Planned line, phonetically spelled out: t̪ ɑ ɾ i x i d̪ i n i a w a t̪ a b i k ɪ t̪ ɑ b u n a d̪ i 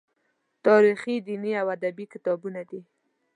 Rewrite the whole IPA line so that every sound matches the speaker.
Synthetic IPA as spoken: t̪ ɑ ɾ i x i d̪ i n i a w a d̪ a b i k ɪ t̪ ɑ b u n a d̪ i

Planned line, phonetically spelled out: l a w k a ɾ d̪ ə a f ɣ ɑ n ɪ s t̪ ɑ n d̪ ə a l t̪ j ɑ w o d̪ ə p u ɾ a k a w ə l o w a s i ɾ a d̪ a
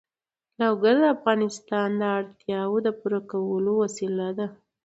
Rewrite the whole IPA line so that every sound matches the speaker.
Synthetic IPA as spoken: l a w ɡ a ɾ d̪ ə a f ɣ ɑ n ɪ s t̪ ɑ n d̪ ə a ɽ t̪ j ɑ w o d̪ ə p u ɾ a k a w ə l o w a s i l a d̪ a

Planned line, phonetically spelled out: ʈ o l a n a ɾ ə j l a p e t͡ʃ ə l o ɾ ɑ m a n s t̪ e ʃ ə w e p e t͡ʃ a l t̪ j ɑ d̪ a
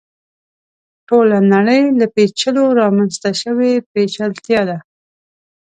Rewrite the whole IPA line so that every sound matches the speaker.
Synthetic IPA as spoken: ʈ o l a n a ɽ ə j l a p e t͡ʃ ə l o ɾ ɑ m a n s t̪ a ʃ ə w e p e t͡ʃ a l t̪ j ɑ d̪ a

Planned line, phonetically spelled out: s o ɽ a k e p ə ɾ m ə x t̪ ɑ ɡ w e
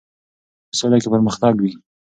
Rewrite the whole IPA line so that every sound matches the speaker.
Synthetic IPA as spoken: s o l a k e p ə ɾ m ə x t̪ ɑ ɡ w i

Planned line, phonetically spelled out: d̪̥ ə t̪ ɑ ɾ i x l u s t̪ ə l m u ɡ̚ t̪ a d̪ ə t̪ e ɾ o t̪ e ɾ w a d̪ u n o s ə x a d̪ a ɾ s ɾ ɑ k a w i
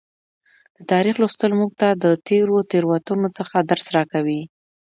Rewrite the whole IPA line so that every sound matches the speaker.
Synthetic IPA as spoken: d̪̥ ə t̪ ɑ ɾ i x l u s t̪ ə l m u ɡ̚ t̪ a d̪ ə t̪ e ɾ o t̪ e ɾ w a t̪ u n o t͡s ə x a d̪ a ɾ s ɾ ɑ k a w i

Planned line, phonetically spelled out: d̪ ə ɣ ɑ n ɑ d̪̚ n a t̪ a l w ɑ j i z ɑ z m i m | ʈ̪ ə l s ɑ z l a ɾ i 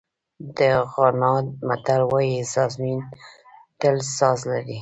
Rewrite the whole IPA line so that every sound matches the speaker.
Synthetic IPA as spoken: d̪ ə ɣ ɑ n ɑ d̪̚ m a t̪ a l w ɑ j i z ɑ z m i n | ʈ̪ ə l s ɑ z l a ɾ i

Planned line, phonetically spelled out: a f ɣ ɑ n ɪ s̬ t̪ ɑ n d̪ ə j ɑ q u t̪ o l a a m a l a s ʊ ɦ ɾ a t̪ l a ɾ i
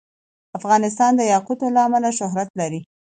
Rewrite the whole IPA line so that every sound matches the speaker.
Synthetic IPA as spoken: a f ɣ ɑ n ɪ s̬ t̪ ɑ n d̪ ə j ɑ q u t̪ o l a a m a l a ʃ ʊ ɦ ɾ a t̪ l a ɾ i

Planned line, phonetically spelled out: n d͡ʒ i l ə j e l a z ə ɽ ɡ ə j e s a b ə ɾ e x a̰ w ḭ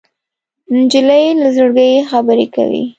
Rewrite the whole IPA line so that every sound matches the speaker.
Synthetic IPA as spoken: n d͡ʒ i l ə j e l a z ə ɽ ɡ ə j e x a b ə ɾ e k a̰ w ḭ

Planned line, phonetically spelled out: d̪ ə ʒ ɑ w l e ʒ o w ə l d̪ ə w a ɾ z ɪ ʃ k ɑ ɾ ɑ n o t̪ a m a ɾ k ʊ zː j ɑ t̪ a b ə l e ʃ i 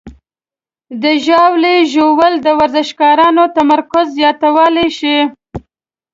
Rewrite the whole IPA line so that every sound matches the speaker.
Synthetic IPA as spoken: d̪ ə ʒ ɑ w l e ʒ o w ə l d̪ ə w a ɾ z ɪ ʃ k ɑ ɾ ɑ n o t̪ a m a ɾ k ʊ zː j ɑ t̪ a w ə l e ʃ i

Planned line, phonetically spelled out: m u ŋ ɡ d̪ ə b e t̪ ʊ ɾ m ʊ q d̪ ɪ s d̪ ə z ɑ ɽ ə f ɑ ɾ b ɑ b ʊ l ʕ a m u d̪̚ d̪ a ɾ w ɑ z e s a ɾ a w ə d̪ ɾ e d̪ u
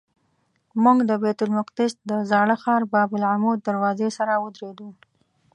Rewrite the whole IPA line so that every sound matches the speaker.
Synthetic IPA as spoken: m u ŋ ɡ d̪ ə b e t̪ ʊ l m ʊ q d̪ ɪ s d̪ ə z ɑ ɽ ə x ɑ ɾ b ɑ b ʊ l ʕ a m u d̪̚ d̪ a ɾ w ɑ z e s a ɾ a w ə d̪ ɾ e d̪ u

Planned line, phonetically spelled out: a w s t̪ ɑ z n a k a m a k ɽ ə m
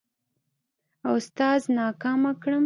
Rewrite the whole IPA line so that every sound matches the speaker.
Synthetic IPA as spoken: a w s t̪ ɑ z n ɑ k ɑ m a k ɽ ə m

